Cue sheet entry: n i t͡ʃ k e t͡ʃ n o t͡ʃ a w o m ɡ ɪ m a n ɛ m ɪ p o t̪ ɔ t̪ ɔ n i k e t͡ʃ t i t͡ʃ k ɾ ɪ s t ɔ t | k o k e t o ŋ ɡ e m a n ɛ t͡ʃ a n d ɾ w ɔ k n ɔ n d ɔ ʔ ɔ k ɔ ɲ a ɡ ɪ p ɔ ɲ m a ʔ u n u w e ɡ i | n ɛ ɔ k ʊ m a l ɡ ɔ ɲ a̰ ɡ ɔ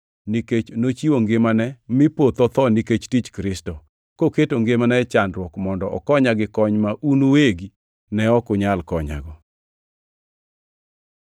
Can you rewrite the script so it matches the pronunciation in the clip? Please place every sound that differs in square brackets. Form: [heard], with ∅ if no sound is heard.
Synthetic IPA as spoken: n i [∅] k e t͡ʃ n o t͡ʃ [i] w o [ŋ] ɡ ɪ m a n ɛ m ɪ p o t̪ ɔ t̪ ɔ n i k e t͡ʃ t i t͡ʃ k ɾ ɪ s t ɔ [∅] | k o k e t o ŋ ɡ e m a n ɛ t͡ʃ a n d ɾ w ɔ k [m] ɔ n d ɔ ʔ ɔ k ɔ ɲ a ɡ ɪ [k] ɔ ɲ m a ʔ u n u w e ɡ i | n ɛ ɔ k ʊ [ɲ] a l [k] ɔ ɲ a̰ ɡ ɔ